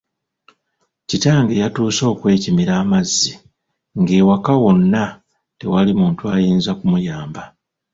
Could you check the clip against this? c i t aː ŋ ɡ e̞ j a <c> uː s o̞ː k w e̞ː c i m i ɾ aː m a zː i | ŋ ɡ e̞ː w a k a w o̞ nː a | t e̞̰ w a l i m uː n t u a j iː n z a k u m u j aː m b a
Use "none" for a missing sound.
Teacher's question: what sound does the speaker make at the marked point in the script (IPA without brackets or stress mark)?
t